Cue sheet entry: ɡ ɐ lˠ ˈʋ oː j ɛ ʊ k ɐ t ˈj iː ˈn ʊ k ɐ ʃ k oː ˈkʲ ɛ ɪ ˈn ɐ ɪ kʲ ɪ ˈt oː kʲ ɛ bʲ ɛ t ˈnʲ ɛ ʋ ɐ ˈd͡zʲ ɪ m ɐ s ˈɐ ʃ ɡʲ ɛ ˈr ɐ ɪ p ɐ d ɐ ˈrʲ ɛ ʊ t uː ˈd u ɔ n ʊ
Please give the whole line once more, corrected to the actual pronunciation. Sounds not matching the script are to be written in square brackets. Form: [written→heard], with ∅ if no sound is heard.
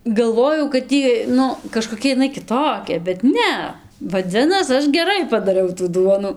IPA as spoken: ɡ ɐ lˠ ˈʋ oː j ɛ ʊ k ɐ t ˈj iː ˈn ʊ k ɐ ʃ k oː ˈkʲ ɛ ɪ ˈn ɐ ɪ kʲ ɪ ˈt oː kʲ ɛ bʲ ɛ t ˈnʲ ɛ ʋ ɐ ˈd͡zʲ ɪ [m→n] ɐ s ˈɐ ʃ ɡʲ ɛ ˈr ɐ ɪ p ɐ d ɐ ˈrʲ ɛ ʊ t uː ˈd u ɔ n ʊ

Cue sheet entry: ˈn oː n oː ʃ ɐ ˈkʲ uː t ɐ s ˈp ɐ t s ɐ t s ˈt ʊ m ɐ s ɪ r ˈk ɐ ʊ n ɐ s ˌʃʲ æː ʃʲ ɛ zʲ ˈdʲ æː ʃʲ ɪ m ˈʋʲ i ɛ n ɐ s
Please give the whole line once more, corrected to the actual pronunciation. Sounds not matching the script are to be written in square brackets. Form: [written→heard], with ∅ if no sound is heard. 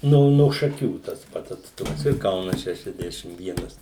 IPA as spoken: ˈn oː n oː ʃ ɐ ˈkʲ uː t ɐ s ˈp ɐ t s ɐ t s ˈt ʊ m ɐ s ɪ r ˈk ɐ ʊ n ɐ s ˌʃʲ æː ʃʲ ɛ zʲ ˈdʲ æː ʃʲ ɪ m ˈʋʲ i ɛ n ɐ s

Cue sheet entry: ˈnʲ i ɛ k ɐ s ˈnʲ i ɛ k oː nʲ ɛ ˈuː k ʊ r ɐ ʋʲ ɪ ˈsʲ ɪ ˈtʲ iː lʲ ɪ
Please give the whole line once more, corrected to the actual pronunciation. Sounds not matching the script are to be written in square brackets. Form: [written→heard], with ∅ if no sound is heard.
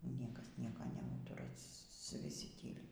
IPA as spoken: ˈnʲ i ɛ k ɐ s ˈnʲ i ɛ k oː nʲ ɛ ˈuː [k→t] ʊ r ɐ ʋʲ ɪ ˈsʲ ɪ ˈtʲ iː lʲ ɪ

